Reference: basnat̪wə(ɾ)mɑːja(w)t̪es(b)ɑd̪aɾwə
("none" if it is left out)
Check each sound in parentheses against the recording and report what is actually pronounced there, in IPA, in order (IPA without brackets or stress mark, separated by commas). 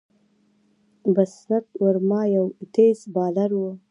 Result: ɾ, w, b